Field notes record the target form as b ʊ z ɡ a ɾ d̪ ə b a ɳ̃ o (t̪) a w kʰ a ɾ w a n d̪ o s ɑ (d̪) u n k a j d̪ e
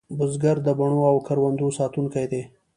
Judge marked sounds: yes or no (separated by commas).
no, no